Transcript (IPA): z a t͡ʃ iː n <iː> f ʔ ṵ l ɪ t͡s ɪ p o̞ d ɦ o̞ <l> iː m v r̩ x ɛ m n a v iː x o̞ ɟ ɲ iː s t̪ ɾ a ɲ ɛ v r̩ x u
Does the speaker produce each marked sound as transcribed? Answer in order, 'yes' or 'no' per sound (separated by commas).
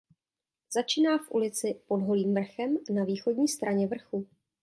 no, yes